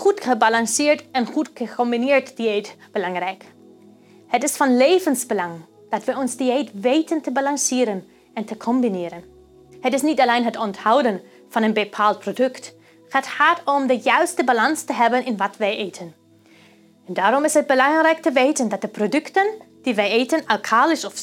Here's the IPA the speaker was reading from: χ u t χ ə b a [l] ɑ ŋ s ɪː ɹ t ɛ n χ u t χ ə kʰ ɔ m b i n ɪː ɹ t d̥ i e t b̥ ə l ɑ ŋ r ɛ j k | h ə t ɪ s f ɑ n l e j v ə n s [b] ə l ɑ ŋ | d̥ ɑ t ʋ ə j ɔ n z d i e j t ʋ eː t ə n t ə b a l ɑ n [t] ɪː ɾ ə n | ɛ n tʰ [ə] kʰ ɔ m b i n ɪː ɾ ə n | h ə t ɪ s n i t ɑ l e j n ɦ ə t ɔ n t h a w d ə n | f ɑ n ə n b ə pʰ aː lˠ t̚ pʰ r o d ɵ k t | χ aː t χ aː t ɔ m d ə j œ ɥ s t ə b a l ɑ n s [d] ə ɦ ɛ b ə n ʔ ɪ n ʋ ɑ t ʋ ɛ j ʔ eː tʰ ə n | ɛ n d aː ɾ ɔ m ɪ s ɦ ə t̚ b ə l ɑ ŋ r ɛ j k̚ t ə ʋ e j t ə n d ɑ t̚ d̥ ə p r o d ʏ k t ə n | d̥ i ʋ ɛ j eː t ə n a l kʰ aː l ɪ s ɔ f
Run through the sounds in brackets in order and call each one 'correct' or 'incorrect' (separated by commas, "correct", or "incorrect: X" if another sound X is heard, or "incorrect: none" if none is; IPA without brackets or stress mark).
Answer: correct, correct, incorrect: s, correct, incorrect: t